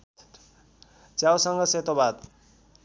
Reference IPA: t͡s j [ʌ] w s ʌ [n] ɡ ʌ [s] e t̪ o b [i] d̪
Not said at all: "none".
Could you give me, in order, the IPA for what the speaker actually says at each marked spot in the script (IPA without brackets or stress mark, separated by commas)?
a, ŋ, s, a